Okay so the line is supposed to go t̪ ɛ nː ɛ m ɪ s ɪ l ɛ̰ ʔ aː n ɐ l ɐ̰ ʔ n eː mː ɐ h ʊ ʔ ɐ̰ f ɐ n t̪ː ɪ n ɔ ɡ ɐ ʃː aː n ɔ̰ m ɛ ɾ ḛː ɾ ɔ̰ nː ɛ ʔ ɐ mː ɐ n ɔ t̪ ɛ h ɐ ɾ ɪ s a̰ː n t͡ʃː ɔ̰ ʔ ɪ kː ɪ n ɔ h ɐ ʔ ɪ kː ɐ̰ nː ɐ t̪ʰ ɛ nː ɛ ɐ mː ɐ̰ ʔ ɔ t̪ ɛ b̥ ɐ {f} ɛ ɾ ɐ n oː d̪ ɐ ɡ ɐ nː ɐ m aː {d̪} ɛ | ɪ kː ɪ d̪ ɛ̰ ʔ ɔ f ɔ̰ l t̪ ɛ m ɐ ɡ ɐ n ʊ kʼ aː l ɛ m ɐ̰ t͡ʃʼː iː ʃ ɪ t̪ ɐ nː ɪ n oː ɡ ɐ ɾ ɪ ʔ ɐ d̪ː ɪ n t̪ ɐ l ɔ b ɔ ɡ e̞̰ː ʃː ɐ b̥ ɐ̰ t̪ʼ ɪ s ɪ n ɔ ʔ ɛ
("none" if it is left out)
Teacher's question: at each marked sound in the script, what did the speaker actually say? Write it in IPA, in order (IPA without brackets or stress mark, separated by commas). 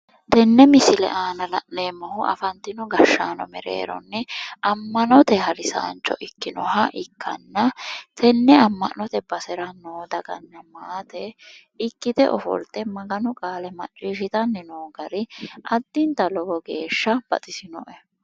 s, t̪